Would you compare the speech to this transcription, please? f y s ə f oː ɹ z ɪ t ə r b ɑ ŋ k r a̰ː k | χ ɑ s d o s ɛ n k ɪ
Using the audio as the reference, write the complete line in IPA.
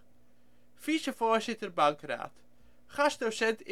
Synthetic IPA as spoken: f i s ə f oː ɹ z ɪ t ə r b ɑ ŋ k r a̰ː t | χ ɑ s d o s ɛ n t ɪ